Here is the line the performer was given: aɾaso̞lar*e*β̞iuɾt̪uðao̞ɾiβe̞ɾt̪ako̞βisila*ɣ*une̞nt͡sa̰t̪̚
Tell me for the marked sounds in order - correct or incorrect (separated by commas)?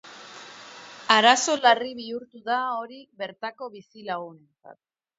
incorrect, correct